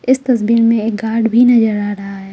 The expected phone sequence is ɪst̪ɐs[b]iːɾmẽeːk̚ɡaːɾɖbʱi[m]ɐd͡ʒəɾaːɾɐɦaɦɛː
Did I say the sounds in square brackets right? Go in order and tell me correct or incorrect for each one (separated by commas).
correct, incorrect